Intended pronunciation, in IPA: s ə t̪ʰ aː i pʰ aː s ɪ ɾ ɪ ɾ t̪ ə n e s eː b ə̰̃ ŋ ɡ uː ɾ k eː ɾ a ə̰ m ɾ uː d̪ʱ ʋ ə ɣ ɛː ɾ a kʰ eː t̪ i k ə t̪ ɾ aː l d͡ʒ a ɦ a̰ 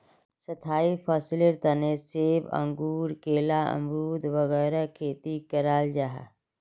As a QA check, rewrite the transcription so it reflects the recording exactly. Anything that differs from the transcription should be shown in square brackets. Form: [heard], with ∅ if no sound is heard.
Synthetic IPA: s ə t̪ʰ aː i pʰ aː s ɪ [l] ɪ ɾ t̪ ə n e s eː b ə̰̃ ŋ ɡ uː ɾ k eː [l] a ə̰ m ɾ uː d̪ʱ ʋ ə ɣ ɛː ɾ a kʰ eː t̪ i k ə [∅] ɾ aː l d͡ʒ a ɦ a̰

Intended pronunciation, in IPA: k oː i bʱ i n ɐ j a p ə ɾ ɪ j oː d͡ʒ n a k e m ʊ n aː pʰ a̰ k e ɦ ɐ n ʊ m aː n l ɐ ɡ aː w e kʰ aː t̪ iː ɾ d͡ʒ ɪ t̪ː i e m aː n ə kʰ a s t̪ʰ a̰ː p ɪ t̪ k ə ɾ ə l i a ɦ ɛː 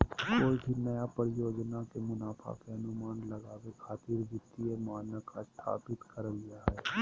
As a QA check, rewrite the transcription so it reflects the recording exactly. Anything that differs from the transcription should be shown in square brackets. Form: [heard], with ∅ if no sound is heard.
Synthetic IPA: k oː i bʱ i n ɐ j a p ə ɾ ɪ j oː d͡ʒ n a k e m ʊ n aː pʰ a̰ k e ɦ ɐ n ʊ m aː n l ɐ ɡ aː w e kʰ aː t̪ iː ɾ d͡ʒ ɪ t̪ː i e m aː n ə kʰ a s t̪ʰ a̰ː p ɪ t̪ k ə ɾ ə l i a ɦ ɛː

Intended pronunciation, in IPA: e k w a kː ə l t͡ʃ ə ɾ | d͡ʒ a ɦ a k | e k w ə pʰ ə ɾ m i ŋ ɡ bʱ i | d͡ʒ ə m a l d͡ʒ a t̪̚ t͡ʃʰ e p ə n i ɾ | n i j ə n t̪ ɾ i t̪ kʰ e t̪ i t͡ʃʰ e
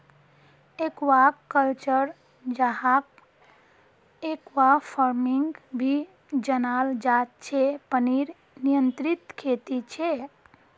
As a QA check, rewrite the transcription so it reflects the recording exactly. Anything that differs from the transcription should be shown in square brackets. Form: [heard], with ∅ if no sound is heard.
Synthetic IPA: e k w a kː ə l t͡ʃ ə ɾ | d͡ʒ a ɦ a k | e k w [a] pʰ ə ɾ m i ŋ ɡ bʱ i | d͡ʒ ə [n] a l d͡ʒ a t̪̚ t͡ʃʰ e p ə n i ɾ | n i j ə n t̪ ɾ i t̪ kʰ e t̪ i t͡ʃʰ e

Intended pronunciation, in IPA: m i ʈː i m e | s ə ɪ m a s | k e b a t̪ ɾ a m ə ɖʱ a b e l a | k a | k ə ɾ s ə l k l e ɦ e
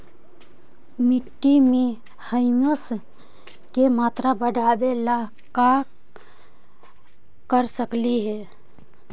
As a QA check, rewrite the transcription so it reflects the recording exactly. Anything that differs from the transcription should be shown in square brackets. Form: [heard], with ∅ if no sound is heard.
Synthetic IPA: m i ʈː i m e | [h] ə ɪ m [ə] s | k e [m] a t̪ ɾ a [b] ə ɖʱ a b e l a | k a | k ə ɾ s ə [∅] k l [i] ɦ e

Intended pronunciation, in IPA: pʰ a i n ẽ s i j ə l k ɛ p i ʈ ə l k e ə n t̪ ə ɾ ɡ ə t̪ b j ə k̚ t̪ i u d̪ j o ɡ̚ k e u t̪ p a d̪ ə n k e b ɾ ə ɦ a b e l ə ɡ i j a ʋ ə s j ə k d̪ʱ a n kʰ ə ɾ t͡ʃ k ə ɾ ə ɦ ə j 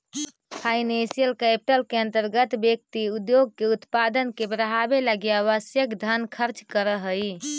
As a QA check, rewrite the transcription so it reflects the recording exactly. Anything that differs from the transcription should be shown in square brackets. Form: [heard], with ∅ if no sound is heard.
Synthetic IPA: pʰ a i n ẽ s i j ə l k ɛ p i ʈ ə l k e ə n t̪ ə ɾ ɡ ə t̪ b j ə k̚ t̪ i u d̪ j o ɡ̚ k e u t̪ p a d̪ ə n k e b ɾ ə ɦ a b e l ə ɡ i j a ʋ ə s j ə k d̪ʱ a n kʰ ə ɾ t͡ʃ k ə ɾ ə ɦ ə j

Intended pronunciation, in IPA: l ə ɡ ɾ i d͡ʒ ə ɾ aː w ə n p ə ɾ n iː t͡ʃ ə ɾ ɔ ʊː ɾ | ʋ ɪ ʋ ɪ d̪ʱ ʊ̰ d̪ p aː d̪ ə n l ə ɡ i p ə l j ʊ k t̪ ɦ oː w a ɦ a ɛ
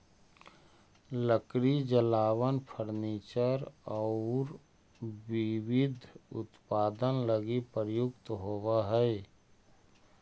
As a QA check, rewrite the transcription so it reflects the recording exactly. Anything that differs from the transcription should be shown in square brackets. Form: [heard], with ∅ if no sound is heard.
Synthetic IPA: l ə [k] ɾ i d͡ʒ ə [l] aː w ə n [pʰ] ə ɾ n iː t͡ʃ ə ɾ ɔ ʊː ɾ | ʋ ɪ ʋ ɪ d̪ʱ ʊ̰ [t̪] p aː d̪ ə n l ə ɡ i p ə [ɾ] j ʊ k t̪ ɦ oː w a ɦ [ɛ] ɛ

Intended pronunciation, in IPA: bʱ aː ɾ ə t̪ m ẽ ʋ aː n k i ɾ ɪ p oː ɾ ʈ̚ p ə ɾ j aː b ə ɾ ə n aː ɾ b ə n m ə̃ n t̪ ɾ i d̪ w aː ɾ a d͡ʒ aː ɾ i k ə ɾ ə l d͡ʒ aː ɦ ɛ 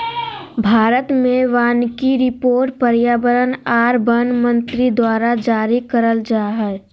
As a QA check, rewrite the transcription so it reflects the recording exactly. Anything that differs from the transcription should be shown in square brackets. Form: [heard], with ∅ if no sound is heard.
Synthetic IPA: bʱ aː ɾ ə t̪ m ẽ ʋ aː n k i ɾ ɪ p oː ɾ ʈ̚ p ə ɾ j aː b ə ɾ ə n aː ɾ b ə n m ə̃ n t̪ ɾ i d̪ w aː ɾ a d͡ʒ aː ɾ i k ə ɾ ə l d͡ʒ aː ɦ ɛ

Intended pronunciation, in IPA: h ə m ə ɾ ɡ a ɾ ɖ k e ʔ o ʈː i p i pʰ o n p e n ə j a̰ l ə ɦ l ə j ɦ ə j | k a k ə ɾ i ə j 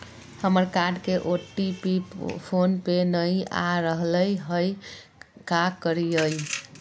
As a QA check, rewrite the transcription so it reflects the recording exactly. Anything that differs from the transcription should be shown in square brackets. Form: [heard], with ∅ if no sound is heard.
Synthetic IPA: h ə m ə ɾ [k] a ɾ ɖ k e ʔ o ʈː i p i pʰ o n p e n ə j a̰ [ɾ] ə ɦ l ə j ɦ ə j | k a k ə ɾ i ə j

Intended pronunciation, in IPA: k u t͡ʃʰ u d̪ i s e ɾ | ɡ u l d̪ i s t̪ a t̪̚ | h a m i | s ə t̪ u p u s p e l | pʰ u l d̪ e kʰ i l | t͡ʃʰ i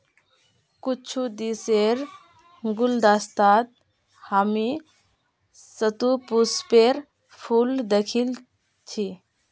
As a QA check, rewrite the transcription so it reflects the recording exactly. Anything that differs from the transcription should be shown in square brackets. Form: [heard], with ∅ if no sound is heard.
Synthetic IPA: k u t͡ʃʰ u d̪ i s e ɾ | ɡ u l d̪ [a] s t̪ a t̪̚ | h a m i | s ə t̪ u p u s p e [ɾ] | pʰ u l d̪ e kʰ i l | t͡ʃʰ i

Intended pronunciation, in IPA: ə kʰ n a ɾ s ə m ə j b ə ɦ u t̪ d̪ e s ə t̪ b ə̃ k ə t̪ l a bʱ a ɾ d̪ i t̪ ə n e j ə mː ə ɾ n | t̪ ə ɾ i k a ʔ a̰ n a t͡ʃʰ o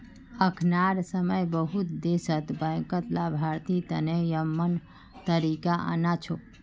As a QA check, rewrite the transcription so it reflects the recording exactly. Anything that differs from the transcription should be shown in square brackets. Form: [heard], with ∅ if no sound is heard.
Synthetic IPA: ə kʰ n a ɾ s ə m ə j b ə ɦ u t̪ d̪ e s ə t̪ b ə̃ k ə t̪ l a bʱ a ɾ [t̪] i t̪ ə n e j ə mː ə [∅] n | t̪ ə ɾ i k a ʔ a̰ n a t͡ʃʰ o

